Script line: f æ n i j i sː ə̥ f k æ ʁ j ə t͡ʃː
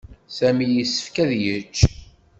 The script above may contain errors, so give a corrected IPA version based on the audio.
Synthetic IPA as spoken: s æ m i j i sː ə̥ f k æ ð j ə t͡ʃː